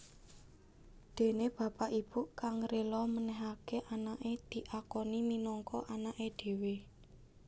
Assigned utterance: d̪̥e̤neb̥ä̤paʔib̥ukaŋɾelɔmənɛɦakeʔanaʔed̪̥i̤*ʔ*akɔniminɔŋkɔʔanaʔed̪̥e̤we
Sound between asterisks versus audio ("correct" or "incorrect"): correct